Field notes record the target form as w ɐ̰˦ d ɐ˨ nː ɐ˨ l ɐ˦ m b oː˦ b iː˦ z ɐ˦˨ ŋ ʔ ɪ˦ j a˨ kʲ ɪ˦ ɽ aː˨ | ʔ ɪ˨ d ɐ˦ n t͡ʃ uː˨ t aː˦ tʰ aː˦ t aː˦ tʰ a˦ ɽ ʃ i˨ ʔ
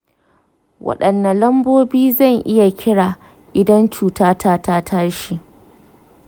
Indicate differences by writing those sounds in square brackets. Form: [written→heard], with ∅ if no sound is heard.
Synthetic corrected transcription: w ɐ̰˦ [d→ɗ] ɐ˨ nː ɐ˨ l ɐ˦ m b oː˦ b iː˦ z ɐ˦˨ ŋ ʔ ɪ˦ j a˨ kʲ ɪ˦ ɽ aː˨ | ʔ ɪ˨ d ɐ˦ n t͡ʃ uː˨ t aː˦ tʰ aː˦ t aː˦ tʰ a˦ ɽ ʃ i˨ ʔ